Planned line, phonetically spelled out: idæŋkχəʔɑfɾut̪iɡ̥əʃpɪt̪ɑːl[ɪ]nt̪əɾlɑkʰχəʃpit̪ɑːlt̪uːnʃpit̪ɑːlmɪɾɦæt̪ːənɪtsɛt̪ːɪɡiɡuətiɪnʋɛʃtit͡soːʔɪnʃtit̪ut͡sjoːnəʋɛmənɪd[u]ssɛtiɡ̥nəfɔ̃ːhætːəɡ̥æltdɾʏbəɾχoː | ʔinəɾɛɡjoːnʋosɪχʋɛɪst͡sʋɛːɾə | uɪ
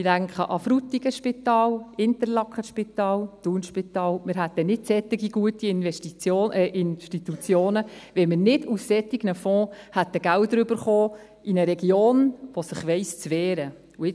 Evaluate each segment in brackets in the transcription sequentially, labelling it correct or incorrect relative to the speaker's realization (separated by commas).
correct, correct